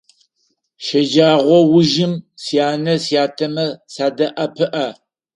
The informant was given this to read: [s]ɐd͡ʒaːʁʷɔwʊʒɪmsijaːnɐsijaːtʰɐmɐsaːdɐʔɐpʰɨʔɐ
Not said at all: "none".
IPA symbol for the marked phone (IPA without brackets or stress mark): ʃ